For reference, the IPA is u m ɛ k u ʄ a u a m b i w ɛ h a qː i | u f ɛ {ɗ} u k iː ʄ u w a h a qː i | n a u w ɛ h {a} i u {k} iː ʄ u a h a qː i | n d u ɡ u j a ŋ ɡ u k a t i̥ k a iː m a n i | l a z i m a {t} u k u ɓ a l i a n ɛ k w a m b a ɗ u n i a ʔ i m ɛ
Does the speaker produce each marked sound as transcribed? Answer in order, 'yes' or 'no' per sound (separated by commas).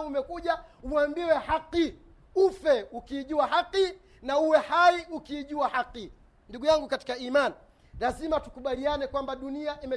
no, yes, yes, yes